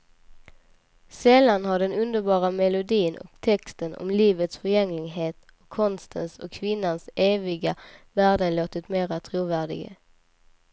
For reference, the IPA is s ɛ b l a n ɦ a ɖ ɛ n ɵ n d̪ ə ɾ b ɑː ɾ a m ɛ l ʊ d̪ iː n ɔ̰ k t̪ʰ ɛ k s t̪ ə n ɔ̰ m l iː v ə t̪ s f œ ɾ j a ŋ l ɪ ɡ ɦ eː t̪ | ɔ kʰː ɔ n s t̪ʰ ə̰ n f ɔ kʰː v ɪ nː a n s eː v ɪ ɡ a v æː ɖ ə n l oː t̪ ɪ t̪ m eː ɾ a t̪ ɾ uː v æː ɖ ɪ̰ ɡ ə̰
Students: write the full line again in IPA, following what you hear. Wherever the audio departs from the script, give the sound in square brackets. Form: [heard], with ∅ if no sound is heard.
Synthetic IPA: s ɛ [∅] l a n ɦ a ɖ ɛ n ɵ n d̪ ə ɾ b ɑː ɾ a m ɛ l ʊ d̪ iː n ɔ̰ k t̪ʰ ɛ k s t̪ ə n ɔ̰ m l iː v ə t̪ s f œ ɾ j [ɛ] ŋ l ɪ ɡ ɦ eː t̪ | ɔ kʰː ɔ n s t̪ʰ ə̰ n [s] ɔ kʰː v ɪ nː a n s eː v ɪ ɡ a v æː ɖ ə n l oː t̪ ɪ t̪ m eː ɾ a [t̪ʰ] ɾ uː v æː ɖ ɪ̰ ɡ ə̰